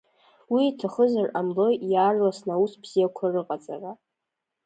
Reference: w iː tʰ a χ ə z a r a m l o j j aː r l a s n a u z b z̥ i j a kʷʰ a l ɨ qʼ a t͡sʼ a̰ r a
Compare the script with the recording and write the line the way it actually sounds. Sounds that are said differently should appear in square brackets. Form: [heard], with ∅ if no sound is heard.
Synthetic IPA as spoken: w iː tʰ a χ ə z a r a m l o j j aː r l a s n a u [s] b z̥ i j a kʷʰ a [r] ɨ qʼ a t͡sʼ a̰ r a